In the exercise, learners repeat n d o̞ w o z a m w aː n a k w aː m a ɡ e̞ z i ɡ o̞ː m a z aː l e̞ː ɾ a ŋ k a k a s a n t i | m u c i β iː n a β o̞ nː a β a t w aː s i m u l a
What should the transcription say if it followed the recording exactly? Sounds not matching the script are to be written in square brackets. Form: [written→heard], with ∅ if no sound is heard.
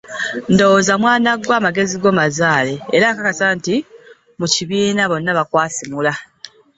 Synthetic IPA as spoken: n d o̞ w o z a m w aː n a [k→ɡ] w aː m a ɡ e̞ z i ɡ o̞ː m a z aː l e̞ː ɾ a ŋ k a k a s a n t i | m u c i β iː n a β o̞ nː a β a [t→k] w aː s i m u l a